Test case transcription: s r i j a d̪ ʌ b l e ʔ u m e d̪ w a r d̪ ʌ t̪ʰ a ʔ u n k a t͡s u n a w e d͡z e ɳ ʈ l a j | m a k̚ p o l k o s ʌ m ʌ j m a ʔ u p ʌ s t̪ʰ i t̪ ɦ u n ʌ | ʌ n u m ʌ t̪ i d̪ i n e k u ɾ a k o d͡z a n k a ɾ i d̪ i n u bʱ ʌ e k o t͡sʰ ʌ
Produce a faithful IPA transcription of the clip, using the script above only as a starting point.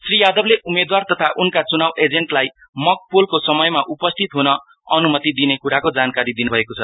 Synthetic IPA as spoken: s r i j a d̪ ʌ b l e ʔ u m e d̪ w a r t̪ ʌ t̪ʰ a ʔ u n k a t͡s u n a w e d͡z e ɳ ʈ l a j | m ʌ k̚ p o l k o s ʌ m ʌ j m a ʔ u p ʌ s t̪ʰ i t̪ ɦ u n ʌ | ʌ n u m ʌ t̪ i d̪ i n e k u ɾ a k o d͡z a n k a ɾ i d̪ i n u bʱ ʌ e k o t͡sʰ ʌ